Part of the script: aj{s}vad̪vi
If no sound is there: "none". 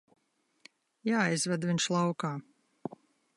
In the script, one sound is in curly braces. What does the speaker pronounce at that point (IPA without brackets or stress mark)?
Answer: z